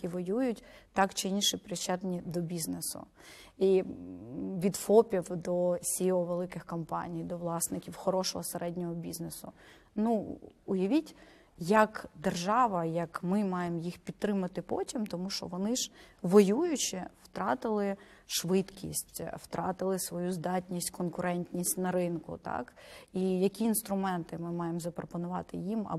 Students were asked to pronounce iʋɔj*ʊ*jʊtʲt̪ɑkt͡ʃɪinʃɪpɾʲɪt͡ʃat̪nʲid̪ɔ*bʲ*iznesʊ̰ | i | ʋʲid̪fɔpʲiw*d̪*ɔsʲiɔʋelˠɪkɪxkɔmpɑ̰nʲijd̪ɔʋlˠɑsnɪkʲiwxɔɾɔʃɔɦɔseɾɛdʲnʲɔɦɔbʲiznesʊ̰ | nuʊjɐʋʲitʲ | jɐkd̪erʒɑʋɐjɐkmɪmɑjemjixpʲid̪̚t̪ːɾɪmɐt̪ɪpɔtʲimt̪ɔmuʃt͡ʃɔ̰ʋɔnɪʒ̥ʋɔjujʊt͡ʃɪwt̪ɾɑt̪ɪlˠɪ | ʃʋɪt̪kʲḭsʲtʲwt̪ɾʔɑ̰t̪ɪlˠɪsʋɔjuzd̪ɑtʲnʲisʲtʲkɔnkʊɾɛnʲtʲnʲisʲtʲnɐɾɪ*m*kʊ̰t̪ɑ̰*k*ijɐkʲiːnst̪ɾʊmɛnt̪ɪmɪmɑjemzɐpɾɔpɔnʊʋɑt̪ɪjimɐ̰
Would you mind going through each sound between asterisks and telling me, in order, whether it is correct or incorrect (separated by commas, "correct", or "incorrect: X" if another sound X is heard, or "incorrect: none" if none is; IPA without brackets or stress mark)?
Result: incorrect: u, correct, correct, incorrect: n, correct